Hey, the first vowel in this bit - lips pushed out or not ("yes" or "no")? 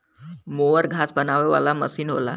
yes